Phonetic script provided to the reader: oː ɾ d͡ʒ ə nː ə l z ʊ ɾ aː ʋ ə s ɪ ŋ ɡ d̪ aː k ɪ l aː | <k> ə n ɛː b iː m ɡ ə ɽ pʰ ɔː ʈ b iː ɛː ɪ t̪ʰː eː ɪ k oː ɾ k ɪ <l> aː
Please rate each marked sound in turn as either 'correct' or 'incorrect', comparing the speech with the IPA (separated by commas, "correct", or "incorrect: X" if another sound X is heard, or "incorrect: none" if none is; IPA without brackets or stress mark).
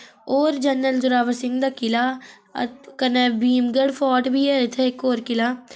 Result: correct, correct